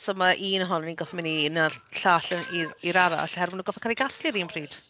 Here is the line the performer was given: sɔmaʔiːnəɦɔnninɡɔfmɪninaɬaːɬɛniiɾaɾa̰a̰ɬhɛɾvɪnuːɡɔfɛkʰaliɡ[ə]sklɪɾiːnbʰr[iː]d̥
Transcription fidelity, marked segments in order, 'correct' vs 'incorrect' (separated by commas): incorrect, correct